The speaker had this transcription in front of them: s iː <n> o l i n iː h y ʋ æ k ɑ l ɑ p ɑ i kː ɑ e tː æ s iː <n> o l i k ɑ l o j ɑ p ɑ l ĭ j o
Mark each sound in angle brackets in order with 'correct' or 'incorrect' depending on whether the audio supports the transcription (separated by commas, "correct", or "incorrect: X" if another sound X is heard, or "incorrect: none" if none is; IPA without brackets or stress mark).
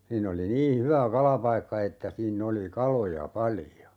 incorrect: nː, incorrect: nː